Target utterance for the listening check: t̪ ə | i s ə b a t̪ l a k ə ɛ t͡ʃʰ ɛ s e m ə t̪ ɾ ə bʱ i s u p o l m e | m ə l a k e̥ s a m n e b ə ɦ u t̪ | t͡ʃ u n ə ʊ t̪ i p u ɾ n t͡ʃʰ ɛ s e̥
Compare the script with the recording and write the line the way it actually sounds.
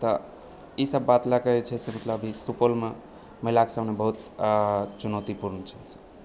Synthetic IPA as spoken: t̪ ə | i s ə bː a t̪ l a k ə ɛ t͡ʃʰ ɛ s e m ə t̪ l ə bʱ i s u p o l m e | m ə l a k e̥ s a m n e b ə ɦ u t̪ | t͡ʃ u n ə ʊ t̪ i p u ɾ n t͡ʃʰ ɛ s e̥